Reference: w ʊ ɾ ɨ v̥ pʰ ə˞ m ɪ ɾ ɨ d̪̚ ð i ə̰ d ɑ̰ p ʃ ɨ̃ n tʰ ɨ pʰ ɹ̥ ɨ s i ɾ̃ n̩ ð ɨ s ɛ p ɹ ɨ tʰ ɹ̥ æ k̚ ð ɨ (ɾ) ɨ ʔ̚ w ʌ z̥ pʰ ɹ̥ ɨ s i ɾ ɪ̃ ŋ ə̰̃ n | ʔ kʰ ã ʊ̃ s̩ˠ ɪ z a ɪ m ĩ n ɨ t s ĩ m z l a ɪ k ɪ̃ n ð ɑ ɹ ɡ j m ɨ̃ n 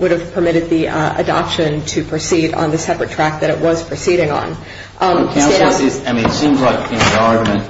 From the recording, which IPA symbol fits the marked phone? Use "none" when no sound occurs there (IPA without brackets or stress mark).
ɾ